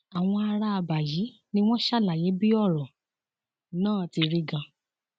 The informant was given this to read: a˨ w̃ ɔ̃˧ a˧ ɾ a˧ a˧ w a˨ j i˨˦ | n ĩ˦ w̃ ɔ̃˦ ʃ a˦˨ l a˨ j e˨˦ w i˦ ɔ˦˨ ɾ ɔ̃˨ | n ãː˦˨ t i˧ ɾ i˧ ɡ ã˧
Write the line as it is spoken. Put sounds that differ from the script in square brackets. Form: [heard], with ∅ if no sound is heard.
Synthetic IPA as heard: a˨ w̃ ɔ̃˧ a˧ ɾ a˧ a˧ [b] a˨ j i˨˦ | n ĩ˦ w̃ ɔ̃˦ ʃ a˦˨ l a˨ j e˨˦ [b] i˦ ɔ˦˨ ɾ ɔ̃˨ | n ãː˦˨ t i˧ ɾ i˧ ɡ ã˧